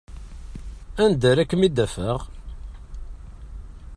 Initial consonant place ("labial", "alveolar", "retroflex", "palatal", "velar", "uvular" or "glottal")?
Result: alveolar